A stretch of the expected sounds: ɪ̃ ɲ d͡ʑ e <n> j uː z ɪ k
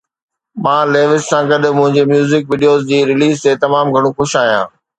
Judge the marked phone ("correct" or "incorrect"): incorrect